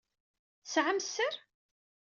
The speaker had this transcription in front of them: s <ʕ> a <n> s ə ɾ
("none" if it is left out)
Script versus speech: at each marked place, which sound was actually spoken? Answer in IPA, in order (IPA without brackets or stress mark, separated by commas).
ʕ, m